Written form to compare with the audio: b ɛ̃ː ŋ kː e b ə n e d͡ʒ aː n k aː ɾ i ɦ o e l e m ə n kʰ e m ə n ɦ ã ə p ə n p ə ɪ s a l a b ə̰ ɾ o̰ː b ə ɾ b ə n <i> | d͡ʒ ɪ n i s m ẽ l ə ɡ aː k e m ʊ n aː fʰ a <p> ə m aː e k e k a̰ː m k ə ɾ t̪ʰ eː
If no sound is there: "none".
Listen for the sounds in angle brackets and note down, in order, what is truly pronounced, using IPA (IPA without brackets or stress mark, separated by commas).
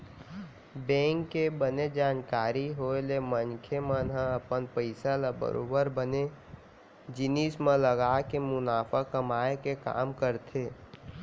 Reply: e, k